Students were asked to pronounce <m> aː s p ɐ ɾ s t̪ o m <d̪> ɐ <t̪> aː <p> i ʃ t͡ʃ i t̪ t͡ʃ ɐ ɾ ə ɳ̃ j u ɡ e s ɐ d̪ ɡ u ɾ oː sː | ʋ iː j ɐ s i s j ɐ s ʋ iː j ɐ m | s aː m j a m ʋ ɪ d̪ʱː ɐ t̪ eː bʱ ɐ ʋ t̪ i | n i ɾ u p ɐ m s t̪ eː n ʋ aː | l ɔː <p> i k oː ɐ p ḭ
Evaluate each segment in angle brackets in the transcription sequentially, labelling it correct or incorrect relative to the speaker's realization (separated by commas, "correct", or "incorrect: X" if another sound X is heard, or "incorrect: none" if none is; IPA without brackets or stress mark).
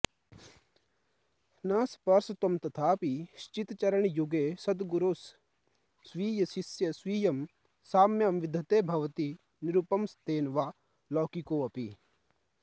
incorrect: n, incorrect: t̪, incorrect: t̪ʰ, correct, incorrect: k